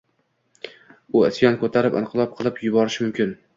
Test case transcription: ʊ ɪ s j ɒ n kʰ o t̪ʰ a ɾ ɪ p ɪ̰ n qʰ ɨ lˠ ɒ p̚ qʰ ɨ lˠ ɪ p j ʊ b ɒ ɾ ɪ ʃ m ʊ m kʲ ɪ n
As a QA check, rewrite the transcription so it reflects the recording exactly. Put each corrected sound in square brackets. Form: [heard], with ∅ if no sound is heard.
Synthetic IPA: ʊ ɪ s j ɒ n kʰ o t̪ʰ a ɾ ɪ p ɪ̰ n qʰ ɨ lˠ ɒ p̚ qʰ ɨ lˠ ɪ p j ʊ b ɒ ɾ ɪ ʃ m ʊ m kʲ ɪ n